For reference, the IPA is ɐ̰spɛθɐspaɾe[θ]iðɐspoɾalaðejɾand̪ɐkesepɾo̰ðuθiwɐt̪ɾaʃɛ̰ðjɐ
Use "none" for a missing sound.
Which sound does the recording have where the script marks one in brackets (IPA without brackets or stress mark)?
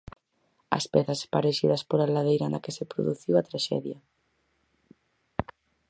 ʃ